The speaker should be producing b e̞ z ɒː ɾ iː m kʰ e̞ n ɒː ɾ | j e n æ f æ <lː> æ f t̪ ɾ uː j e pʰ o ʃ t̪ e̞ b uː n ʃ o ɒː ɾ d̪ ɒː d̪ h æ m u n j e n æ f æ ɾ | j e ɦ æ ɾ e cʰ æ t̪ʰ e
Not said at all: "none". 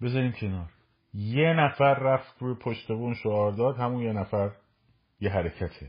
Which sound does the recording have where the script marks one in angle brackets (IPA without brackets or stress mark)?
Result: ɾː